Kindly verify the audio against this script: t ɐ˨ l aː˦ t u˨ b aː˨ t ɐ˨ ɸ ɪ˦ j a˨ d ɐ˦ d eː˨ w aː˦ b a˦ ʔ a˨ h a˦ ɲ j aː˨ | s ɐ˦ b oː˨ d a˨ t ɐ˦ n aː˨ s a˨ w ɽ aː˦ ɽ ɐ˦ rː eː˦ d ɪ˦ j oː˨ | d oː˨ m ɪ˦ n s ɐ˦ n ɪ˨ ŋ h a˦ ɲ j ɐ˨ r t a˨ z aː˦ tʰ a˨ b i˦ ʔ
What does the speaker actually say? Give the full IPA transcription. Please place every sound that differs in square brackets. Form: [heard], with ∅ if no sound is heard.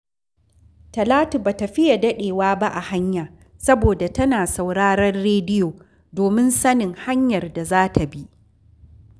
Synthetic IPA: t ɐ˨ l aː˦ t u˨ b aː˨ t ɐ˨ ɸ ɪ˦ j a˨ d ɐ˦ [ɗ] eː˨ w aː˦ b a˦ ʔ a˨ h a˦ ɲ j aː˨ | s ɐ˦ b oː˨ d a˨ t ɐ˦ n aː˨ s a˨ w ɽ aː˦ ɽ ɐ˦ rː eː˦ d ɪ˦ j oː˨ | d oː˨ m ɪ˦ n s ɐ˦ n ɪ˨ ŋ h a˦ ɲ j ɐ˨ r [d] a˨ z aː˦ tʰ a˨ b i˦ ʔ